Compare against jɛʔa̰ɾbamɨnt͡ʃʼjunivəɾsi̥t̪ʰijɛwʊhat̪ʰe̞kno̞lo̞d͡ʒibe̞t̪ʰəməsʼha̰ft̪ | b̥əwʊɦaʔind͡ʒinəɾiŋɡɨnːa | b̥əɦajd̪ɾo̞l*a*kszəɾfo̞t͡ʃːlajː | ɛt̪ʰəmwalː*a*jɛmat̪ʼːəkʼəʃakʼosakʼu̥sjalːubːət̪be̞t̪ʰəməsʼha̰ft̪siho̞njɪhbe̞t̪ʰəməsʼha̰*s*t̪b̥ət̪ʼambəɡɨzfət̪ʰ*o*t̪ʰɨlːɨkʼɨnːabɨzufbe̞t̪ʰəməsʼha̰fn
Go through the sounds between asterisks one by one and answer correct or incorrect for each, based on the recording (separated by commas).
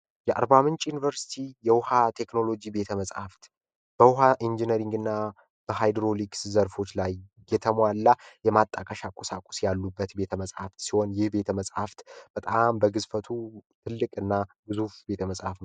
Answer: incorrect, correct, incorrect, incorrect